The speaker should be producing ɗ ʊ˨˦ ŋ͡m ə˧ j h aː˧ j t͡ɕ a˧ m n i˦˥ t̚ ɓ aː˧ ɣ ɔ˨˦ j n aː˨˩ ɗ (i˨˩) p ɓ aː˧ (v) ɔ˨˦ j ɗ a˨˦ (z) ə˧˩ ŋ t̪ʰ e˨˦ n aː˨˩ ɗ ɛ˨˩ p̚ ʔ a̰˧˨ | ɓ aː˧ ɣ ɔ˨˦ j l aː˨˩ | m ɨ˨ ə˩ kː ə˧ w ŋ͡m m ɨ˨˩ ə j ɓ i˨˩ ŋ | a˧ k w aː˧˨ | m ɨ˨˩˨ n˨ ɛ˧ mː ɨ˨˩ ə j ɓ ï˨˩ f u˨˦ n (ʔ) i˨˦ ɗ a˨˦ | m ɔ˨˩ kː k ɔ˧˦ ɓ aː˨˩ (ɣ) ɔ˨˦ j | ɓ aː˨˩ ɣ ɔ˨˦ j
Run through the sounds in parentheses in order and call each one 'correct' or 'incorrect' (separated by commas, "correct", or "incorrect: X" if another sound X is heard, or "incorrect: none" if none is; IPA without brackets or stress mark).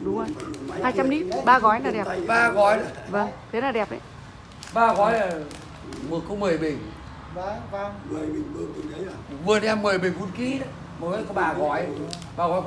incorrect: ɛ˨˩, incorrect: ɣ, incorrect: v, incorrect: k, correct